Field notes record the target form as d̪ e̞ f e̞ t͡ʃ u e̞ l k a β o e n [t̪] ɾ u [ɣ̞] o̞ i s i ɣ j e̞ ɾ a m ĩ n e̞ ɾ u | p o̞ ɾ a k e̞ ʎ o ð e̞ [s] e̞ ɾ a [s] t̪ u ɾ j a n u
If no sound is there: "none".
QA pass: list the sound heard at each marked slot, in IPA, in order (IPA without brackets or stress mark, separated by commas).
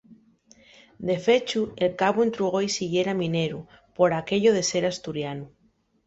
t̪, ɣ̞, s, s